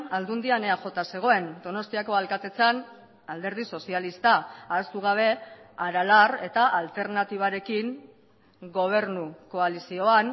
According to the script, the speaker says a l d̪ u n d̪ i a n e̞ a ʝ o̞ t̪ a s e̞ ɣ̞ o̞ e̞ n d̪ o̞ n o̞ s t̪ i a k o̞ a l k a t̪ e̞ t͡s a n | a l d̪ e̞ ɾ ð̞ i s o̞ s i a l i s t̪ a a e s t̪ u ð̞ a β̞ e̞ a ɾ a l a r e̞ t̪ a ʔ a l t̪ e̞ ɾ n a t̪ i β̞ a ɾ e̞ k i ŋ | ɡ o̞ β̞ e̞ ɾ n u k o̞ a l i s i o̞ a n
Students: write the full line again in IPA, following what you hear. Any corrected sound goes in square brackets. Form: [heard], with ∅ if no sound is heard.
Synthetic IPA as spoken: a l d̪ u n d̪ i a n e̞ a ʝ o̞ t̪ a s e̞ ɣ̞ o̞ e̞ n d̪ o̞ n o̞ s t̪ i a k o̞ a l k a t̪ e̞ t͡s a n | a l d̪ e̞ ɾ ð̞ i s o̞ s i a l i s t̪ a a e s t̪ u [ɣ̞] a β̞ e̞ a ɾ a l a r e̞ t̪ a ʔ a l t̪ e̞ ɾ n a t̪ i β̞ a ɾ e̞ k i ŋ | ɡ o̞ β̞ e̞ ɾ n u k o̞ a l i s i o̞ a n